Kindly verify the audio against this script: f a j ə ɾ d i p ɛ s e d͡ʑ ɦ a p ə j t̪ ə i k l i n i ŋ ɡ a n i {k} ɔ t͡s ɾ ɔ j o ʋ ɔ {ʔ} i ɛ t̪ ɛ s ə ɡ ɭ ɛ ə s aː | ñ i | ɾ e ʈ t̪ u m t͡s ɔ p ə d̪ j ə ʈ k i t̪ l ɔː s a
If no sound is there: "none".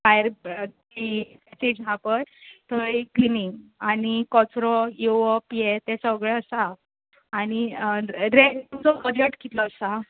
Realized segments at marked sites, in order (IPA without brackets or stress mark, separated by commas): k, p